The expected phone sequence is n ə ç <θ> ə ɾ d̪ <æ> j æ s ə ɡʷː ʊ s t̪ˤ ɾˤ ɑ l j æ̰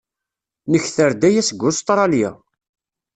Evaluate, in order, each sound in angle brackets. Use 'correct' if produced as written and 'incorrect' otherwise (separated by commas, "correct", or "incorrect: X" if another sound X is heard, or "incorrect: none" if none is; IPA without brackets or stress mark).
correct, correct